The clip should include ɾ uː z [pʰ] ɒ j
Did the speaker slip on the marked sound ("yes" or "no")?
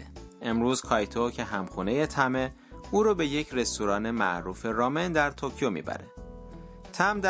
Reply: yes